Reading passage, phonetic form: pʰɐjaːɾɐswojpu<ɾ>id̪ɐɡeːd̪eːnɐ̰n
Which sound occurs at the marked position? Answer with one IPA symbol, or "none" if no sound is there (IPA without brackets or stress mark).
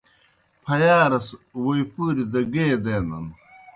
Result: ɾ